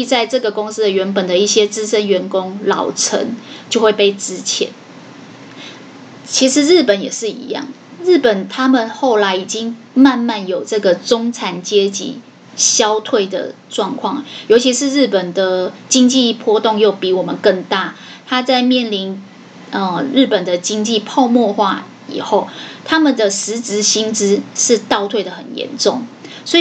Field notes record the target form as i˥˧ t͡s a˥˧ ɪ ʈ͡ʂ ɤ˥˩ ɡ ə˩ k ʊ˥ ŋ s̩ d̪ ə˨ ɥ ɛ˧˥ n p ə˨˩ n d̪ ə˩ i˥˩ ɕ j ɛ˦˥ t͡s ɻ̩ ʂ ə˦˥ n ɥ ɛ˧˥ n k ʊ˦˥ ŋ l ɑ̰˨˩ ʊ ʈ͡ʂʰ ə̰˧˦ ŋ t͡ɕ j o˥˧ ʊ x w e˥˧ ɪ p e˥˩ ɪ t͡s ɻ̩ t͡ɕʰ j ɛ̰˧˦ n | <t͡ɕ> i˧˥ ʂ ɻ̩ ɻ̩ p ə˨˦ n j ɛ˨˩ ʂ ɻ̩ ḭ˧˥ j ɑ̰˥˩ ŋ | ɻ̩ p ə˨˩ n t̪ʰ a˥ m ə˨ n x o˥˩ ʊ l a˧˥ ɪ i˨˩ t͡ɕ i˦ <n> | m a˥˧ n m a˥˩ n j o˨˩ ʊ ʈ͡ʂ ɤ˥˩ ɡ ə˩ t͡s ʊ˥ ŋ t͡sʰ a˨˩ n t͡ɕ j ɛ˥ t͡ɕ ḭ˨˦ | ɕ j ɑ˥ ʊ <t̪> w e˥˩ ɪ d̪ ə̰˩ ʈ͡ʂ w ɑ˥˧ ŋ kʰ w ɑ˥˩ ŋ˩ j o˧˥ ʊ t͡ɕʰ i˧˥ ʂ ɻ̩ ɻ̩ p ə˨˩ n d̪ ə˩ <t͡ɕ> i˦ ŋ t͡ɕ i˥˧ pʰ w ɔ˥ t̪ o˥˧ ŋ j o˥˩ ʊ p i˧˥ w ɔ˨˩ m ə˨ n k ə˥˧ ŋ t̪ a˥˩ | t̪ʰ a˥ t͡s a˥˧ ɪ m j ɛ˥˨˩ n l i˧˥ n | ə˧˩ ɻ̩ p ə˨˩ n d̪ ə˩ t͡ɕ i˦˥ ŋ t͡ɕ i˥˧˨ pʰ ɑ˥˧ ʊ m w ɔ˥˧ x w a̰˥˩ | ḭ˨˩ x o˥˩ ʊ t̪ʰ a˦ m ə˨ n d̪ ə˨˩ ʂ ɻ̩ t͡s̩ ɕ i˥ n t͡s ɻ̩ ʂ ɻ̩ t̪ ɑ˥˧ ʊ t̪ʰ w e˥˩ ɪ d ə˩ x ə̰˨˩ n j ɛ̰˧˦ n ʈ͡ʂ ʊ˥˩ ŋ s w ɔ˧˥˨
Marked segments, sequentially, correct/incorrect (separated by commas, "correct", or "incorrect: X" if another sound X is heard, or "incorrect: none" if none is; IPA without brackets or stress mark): incorrect: t͡ɕʰ, incorrect: ŋ, incorrect: t̪ʰ, correct